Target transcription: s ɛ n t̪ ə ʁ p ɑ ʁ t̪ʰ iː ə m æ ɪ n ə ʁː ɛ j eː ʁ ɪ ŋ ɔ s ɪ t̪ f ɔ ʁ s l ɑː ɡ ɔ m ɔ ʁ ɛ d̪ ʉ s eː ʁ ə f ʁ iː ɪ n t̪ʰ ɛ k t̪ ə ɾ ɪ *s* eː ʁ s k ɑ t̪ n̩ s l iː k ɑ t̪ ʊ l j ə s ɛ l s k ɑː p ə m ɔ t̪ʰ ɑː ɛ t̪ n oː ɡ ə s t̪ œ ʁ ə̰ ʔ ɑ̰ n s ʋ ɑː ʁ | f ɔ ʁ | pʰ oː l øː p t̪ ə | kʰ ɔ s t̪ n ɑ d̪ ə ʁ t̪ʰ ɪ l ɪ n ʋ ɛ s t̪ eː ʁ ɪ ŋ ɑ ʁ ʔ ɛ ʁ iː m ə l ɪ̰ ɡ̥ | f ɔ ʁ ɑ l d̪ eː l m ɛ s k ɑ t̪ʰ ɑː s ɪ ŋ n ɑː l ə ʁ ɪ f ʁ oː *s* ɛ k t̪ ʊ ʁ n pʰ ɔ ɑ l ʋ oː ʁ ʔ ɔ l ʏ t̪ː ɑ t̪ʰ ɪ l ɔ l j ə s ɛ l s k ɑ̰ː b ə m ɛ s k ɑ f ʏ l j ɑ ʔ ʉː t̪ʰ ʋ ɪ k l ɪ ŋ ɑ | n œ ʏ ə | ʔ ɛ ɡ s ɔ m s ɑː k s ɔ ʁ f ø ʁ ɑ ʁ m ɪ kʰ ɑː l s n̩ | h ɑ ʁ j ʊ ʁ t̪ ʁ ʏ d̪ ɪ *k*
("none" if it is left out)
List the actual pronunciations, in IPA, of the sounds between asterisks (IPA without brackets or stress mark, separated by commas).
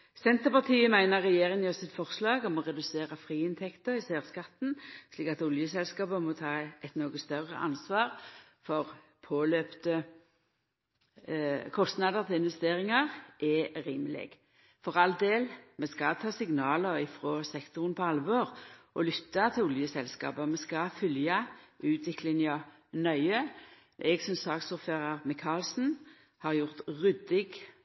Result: s, s, ɡ